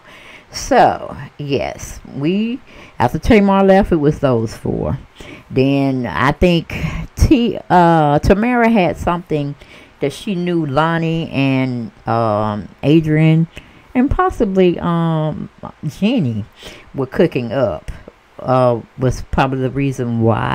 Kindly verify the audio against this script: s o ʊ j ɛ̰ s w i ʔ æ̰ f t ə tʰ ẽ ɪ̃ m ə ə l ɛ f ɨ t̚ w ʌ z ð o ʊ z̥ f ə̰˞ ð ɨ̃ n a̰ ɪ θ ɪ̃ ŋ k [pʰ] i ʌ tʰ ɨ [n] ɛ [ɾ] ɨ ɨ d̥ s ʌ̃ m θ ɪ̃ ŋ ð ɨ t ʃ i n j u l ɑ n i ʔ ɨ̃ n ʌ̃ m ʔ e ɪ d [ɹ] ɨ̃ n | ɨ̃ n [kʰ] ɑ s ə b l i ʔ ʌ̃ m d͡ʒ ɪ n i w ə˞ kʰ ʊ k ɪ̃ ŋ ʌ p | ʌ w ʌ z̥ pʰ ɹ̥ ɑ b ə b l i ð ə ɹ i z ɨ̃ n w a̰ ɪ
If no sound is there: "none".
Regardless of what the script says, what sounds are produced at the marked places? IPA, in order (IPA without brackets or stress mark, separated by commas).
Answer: tʰ, m, ɹ, ɹ, pʰ